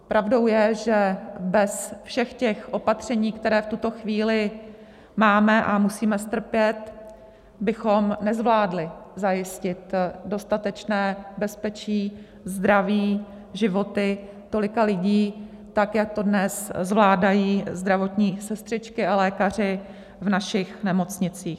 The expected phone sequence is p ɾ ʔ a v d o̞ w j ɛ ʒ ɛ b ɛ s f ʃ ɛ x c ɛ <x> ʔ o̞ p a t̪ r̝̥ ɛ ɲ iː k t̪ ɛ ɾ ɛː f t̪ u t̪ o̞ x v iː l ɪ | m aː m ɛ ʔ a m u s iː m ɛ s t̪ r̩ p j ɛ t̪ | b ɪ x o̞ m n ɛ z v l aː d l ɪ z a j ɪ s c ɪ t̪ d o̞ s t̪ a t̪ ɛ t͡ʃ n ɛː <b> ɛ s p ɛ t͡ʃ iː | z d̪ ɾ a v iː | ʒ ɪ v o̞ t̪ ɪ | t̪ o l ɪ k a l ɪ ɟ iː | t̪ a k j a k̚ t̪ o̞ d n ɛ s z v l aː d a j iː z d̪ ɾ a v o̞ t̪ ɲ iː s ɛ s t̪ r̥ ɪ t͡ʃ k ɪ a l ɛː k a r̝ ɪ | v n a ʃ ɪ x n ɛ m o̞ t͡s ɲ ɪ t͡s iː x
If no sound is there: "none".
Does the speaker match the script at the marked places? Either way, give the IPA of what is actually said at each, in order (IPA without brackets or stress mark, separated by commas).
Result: x, b